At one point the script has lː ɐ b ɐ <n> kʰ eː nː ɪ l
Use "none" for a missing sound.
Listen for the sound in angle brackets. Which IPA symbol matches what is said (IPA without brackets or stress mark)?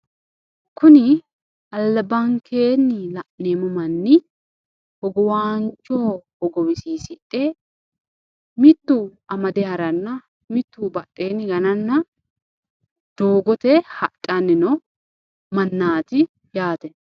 ŋ